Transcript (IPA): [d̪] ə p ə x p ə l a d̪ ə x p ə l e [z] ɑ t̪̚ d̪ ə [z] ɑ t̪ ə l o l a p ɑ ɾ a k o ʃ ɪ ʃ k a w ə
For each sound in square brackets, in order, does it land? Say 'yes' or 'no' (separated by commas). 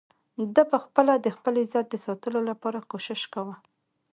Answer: yes, yes, no